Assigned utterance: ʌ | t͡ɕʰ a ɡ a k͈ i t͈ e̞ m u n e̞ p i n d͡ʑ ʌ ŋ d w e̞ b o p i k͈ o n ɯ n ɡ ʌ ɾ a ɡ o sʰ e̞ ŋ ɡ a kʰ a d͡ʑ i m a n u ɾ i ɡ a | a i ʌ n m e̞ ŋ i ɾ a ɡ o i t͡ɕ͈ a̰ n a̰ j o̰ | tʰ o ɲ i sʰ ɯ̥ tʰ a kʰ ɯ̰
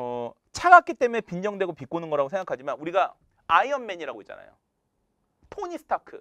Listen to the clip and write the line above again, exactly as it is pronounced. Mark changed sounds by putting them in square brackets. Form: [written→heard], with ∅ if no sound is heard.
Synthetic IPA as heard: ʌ | t͡ɕʰ a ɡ a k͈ i t͈ e̞ m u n e̞ p i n d͡ʑ ʌ ŋ d w e̞ [b→ɡ] o p i k͈ o n ɯ n ɡ ʌ ɾ a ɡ o sʰ e̞ ŋ ɡ a kʰ a d͡ʑ i m a n u ɾ i ɡ a | a i ʌ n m e̞ [ŋ→ɲ] i ɾ a ɡ o i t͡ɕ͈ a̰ n a̰ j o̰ | tʰ o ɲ i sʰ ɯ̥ tʰ a kʰ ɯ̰

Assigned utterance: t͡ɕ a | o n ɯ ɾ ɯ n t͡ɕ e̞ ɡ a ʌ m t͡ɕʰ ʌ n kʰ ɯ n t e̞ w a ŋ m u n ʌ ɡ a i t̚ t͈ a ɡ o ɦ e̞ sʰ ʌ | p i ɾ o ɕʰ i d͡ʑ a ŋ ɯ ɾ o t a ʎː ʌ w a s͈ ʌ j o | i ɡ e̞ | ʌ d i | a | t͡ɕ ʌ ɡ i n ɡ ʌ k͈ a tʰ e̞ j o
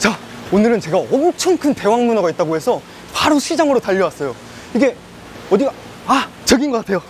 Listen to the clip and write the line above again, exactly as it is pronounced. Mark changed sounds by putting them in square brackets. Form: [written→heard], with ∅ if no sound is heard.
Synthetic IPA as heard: t͡ɕ a | o n ɯ ɾ ɯ n t͡ɕ e̞ ɡ a ʌ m t͡ɕʰ ʌ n kʰ ɯ n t e̞ w a ŋ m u n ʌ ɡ a i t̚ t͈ a ɡ o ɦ e̞ sʰ ʌ | p [i→a] ɾ o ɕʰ i d͡ʑ a ŋ ɯ ɾ o t a ʎː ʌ w a s͈ ʌ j o | i ɡ e̞ | ʌ d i | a | t͡ɕ ʌ ɡ i n ɡ ʌ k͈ a tʰ e̞ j o

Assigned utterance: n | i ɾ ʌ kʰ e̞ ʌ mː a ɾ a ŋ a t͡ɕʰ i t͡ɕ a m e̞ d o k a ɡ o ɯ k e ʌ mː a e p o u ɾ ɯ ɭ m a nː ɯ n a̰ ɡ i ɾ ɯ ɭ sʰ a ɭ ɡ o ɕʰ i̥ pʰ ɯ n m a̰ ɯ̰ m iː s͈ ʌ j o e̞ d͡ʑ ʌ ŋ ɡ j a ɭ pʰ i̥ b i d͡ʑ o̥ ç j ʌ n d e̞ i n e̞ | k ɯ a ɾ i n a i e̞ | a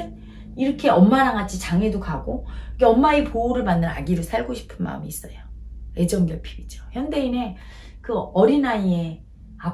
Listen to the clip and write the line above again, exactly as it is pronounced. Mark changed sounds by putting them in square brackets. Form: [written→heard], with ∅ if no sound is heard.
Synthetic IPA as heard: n | i ɾ ʌ kʰ e̞ ʌ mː a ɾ a ŋ a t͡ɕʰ i t͡ɕ a [m→ŋ] e̞ d o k a ɡ o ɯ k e ʌ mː a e p o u ɾ ɯ ɭ m a nː ɯ n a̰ ɡ i ɾ ɯ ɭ sʰ a ɭ ɡ o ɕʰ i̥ pʰ ɯ n m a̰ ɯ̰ m iː s͈ ʌ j o e̞ d͡ʑ ʌ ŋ ɡ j [a→ʌ] ɭ pʰ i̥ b i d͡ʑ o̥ ç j ʌ n d e̞ i n e̞ | k ɯ [a→ʌ] ɾ i n a i e̞ | a

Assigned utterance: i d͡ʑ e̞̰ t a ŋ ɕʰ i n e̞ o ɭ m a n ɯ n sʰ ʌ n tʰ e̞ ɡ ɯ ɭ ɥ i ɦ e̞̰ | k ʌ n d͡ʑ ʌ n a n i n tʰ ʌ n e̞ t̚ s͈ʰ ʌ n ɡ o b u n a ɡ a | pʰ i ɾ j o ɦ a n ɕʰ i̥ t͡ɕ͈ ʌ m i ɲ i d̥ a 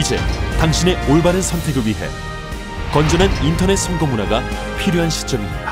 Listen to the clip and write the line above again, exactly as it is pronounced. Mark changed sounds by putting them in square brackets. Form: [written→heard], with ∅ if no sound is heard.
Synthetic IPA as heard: i d͡ʑ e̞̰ t a ŋ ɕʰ i n e̞ o ɭ [m→b] a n ɯ n sʰ ʌ n tʰ e̞ ɡ ɯ ɭ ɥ i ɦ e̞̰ | k ʌ n d͡ʑ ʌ n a n i n tʰ ʌ n e̞ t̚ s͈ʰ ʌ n ɡ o [b→m] u n a ɡ a | pʰ i ɾ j o ɦ a n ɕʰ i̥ t͡ɕ͈ ʌ m i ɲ i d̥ a

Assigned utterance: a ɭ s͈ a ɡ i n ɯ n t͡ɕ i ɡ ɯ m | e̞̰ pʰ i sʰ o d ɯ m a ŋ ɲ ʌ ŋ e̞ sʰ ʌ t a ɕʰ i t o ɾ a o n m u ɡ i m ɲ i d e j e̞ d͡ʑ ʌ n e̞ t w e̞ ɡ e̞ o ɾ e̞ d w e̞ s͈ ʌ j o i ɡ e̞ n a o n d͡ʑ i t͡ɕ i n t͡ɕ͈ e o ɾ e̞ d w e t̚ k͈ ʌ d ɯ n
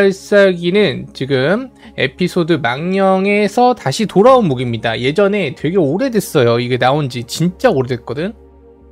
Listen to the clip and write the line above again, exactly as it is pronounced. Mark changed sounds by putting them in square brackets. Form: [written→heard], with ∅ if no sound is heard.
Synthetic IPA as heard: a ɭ s͈ a ɡ i n ɯ n t͡ɕ i ɡ ɯ m | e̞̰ pʰ i sʰ o d ɯ m a ŋ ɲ ʌ ŋ e̞ sʰ ʌ t a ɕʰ i t o ɾ a o n m u ɡ i m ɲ i d [e→a] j e̞ d͡ʑ ʌ n e̞ t w e̞ ɡ e̞ o ɾ e̞ d w e̞ s͈ ʌ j o i ɡ e̞ n a o n d͡ʑ i t͡ɕ i n t͡ɕ͈ [e→a] o ɾ e̞ d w e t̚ k͈ ʌ d ɯ n

